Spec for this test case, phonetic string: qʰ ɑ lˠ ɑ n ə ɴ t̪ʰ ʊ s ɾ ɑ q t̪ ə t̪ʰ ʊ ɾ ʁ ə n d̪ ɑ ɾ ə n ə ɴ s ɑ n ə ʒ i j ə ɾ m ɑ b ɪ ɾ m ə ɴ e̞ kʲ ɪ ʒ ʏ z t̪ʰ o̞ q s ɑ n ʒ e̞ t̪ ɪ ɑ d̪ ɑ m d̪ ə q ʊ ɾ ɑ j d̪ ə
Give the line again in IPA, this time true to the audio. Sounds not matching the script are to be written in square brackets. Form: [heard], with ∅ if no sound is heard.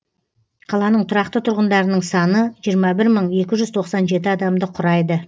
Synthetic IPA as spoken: qʰ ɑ lˠ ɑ n ə ɴ t̪ʰ ʊ [∅] ɾ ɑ q t̪ ə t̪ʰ ʊ ɾ ʁ ə n d̪ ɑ ɾ ə n ə ɴ s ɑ n ə ʒ i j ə ɾ m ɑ b ɪ ɾ m ə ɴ e̞ kʲ ɪ ʒ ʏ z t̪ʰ o̞ q s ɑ n ʒ e̞ t̪ ɪ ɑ d̪ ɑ m d̪ ə [qʰ] ʊ ɾ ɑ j d̪ ə